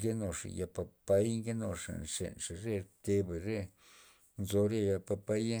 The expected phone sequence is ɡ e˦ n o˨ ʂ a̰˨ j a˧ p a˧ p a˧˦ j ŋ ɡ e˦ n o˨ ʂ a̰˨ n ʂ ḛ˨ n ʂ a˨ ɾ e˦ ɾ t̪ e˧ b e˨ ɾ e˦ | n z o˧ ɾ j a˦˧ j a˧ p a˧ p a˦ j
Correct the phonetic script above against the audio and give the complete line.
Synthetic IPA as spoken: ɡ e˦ n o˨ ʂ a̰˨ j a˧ p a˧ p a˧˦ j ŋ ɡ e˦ n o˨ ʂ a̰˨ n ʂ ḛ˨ n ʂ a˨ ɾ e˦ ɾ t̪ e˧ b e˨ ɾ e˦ | n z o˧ ɾ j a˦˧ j a˧ p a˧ p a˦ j